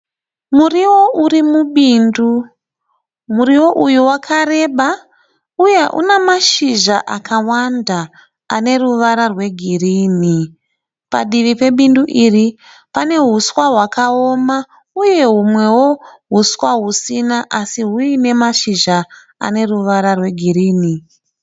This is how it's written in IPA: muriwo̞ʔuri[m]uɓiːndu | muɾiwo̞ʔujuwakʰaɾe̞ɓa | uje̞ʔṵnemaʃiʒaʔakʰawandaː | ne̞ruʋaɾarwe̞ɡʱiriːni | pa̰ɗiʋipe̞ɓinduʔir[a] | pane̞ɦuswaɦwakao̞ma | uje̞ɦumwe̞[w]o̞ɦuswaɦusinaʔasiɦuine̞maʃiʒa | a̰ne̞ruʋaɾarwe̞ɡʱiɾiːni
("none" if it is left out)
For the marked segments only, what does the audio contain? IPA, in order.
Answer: m, i, w

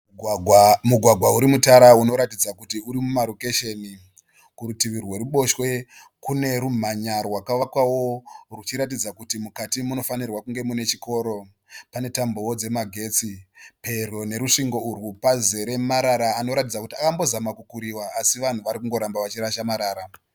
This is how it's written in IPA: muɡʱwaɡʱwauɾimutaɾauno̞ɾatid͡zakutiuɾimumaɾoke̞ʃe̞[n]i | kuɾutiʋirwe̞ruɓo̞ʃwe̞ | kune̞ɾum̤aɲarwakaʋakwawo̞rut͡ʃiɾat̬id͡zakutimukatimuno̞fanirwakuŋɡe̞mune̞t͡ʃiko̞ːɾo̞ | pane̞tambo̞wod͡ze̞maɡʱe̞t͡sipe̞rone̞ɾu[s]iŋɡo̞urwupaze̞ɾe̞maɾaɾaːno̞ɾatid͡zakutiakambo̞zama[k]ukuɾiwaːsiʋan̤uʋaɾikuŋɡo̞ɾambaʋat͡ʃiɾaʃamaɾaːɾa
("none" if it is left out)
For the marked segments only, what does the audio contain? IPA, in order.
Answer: n, ʂ, k

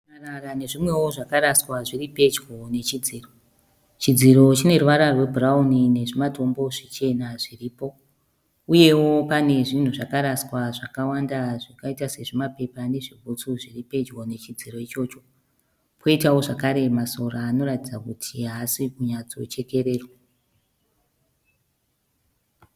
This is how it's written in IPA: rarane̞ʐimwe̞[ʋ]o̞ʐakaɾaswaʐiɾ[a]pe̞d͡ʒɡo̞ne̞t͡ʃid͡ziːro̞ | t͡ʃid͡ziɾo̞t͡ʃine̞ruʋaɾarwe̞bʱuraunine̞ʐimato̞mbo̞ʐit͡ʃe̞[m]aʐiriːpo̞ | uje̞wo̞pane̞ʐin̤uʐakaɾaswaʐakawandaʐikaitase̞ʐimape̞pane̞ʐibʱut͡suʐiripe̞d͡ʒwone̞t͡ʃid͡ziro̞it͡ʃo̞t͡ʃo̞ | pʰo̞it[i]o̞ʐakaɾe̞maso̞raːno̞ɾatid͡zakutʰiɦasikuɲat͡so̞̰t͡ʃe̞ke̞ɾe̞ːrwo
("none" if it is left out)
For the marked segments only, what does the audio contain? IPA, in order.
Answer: w, i, n, a

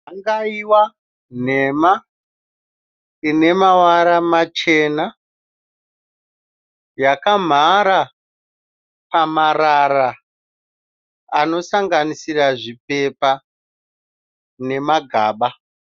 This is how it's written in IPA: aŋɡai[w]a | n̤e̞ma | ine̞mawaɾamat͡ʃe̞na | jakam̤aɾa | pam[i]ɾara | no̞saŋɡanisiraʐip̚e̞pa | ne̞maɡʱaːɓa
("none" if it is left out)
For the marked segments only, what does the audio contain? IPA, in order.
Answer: w, a

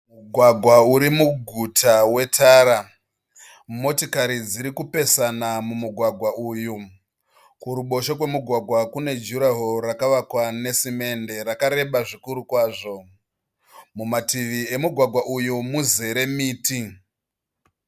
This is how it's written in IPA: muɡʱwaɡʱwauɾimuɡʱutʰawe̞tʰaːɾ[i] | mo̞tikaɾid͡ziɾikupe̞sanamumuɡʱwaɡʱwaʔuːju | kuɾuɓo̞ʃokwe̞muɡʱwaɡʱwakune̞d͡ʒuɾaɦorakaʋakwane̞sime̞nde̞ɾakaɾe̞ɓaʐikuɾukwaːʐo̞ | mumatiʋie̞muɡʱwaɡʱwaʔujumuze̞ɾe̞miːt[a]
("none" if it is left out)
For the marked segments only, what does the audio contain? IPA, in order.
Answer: a, i

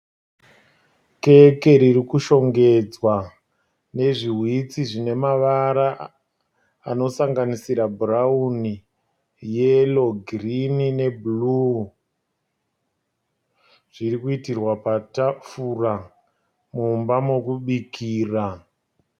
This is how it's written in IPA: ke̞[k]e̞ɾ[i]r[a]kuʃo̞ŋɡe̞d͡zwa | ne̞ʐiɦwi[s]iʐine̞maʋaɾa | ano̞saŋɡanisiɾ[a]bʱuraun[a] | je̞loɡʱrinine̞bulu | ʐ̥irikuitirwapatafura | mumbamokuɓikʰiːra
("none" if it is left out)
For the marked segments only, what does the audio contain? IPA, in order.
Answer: k, i, i, t͡s, a, i

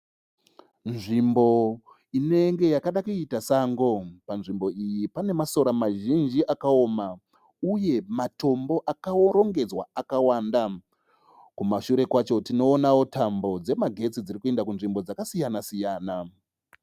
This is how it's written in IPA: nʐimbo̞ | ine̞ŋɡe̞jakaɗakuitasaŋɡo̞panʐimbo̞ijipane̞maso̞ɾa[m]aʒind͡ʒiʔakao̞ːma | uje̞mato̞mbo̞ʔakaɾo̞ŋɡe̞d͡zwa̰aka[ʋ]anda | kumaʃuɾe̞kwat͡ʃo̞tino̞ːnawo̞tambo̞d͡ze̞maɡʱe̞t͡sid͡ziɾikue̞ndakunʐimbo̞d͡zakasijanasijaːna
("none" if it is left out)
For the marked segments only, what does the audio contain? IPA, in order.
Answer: m, w

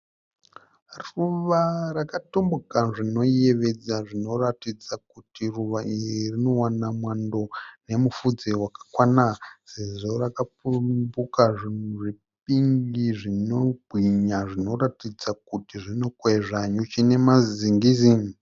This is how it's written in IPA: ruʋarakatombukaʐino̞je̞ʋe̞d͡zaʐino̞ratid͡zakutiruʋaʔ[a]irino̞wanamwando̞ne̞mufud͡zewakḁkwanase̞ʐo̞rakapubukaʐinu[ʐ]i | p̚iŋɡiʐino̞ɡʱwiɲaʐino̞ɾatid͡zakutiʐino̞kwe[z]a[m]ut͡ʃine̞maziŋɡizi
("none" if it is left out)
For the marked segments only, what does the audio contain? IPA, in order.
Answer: i, ʐ, ʐ, ɲ

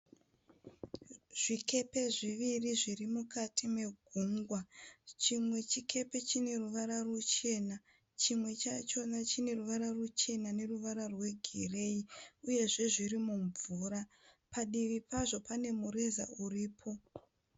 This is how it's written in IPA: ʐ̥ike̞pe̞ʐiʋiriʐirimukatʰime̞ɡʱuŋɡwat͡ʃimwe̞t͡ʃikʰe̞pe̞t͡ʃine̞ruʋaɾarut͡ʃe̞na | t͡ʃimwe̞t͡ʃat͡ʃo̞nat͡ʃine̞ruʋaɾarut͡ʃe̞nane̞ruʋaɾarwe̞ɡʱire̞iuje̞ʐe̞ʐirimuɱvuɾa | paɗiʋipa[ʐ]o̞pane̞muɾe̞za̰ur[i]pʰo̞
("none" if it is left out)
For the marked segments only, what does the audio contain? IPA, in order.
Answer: ʐ, iː

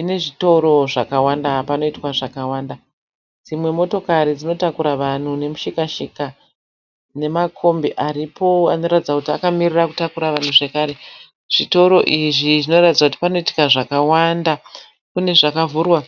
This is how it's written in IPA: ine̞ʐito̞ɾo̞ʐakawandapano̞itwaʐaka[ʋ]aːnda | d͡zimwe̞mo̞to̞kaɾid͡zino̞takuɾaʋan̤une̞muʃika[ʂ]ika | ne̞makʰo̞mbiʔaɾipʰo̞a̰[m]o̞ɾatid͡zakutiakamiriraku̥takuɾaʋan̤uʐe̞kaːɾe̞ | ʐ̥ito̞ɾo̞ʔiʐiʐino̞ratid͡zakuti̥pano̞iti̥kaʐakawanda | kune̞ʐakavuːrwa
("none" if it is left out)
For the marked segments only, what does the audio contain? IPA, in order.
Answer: w, ʃ, n

